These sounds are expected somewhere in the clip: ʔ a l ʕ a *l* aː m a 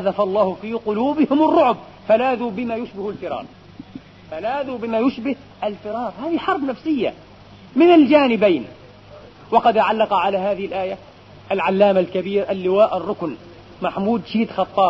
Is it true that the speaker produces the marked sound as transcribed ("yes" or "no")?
no